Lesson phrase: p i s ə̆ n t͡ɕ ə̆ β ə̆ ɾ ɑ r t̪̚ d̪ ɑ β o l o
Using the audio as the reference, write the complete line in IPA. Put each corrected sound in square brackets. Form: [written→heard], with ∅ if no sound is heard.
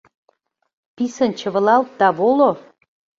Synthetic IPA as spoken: p i s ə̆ n t͡ɕ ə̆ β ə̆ [ɾ→l] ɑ [r→l] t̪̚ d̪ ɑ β o l o